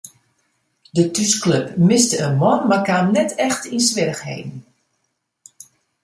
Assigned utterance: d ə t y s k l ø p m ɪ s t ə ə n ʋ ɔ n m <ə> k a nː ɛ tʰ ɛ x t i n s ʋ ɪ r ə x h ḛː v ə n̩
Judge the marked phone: incorrect: a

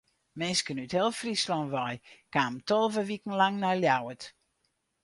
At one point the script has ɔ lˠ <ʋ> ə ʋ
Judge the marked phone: incorrect: v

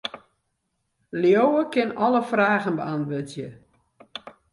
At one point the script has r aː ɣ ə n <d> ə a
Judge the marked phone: incorrect: b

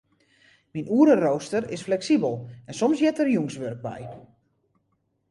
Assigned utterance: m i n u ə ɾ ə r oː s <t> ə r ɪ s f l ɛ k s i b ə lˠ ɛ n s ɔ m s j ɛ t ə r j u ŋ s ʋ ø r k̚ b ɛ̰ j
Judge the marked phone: correct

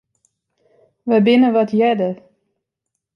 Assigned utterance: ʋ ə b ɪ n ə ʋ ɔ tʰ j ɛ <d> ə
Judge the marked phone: correct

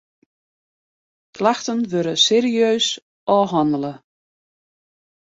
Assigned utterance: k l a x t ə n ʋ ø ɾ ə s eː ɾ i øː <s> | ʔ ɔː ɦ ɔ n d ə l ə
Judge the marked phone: correct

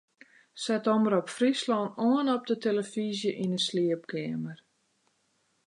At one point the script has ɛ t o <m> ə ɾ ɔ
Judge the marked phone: correct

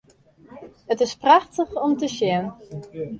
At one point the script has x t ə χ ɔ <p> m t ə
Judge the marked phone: incorrect: none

